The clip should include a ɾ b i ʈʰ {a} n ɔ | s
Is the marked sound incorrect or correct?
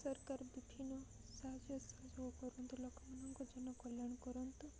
incorrect